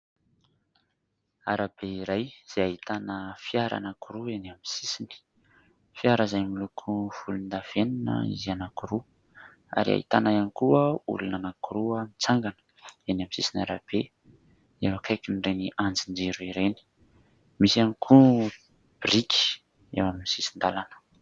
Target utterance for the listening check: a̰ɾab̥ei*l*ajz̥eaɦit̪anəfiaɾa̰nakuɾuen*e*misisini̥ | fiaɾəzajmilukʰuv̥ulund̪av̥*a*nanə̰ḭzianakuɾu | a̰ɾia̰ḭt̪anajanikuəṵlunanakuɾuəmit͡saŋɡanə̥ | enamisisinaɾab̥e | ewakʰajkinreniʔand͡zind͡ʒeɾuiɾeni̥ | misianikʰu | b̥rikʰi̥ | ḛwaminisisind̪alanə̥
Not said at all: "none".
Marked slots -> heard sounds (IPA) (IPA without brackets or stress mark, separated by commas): ɾ, a, e